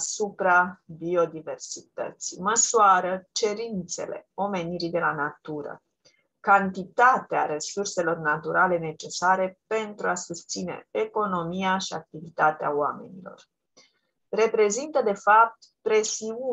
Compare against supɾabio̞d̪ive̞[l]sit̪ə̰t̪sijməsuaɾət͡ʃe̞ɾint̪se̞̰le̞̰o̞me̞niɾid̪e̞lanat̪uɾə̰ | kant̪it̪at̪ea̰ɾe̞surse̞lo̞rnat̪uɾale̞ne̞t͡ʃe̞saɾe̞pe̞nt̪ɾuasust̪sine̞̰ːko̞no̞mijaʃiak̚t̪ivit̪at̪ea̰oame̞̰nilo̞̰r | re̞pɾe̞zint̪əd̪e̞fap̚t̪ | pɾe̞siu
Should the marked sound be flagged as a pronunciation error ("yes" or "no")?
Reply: yes